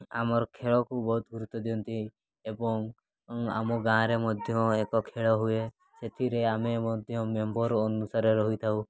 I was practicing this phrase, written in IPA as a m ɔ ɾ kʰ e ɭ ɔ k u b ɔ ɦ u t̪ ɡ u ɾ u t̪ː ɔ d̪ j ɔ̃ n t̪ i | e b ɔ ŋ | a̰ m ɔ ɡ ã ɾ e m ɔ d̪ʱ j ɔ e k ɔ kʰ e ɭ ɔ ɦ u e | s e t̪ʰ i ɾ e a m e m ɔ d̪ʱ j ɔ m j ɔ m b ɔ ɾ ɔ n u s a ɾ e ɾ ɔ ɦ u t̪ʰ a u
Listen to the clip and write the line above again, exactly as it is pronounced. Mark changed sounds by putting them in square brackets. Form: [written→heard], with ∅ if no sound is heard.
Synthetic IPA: a m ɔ ɾ kʰ e ɭ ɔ k u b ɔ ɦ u t̪ ɡ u ɾ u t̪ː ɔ d̪ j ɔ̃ n t̪ i | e b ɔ ŋ | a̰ m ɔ ɡ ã ɾ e m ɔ d̪ʱ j ɔ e k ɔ kʰ e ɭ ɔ ɦ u e | s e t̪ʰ i ɾ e a m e m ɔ d̪ʱ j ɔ m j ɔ m b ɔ ɾ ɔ n u s a ɾ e ɾ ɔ ɦ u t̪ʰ a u